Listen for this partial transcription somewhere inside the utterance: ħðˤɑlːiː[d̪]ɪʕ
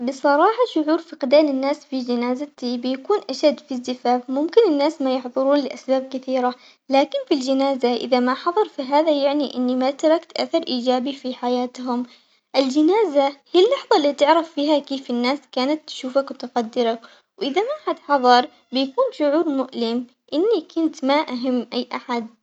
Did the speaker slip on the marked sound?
yes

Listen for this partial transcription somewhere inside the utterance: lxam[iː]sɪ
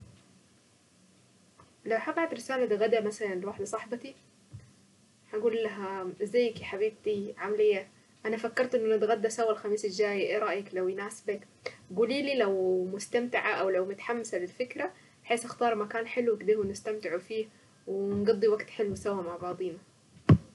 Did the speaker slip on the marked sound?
no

